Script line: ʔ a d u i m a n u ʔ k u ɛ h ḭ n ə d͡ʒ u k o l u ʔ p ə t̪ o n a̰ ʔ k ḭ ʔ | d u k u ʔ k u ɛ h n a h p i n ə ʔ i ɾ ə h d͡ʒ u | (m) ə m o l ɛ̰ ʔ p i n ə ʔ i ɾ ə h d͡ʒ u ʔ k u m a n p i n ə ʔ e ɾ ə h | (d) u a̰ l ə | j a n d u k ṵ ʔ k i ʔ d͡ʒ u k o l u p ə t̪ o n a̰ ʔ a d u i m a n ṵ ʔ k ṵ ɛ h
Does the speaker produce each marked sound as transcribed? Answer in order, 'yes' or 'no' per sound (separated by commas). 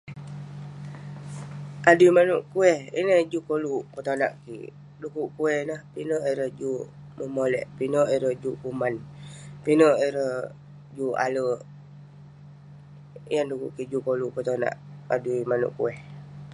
yes, no